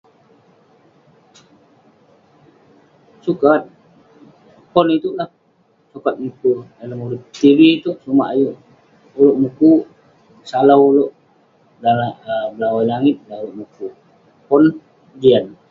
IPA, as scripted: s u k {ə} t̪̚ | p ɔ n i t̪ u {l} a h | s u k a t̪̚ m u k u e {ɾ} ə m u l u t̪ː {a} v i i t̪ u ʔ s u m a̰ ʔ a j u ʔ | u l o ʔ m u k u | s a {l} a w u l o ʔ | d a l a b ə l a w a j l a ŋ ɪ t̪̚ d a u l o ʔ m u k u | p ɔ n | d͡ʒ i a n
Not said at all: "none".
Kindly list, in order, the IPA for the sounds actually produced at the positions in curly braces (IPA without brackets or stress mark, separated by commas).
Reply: a, l, l, i, l